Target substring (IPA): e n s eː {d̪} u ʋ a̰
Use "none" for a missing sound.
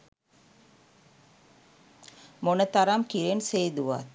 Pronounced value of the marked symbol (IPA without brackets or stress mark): d̪